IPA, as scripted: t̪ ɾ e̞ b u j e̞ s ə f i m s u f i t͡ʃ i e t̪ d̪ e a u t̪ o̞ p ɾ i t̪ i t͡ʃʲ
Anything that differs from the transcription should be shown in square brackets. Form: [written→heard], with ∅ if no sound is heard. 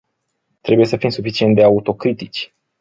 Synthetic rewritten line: t̪ ɾ e̞ b u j e̞ s ə f i m s u f i t͡ʃ i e t̪ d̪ e a u t̪ o̞ [p→k] ɾ i t̪ i t͡ʃʲ